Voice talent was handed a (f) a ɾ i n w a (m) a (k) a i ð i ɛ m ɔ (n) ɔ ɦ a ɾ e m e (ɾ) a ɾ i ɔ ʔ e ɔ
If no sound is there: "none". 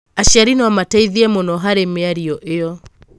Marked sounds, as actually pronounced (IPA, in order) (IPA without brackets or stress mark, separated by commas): ʃ, m, t, n, none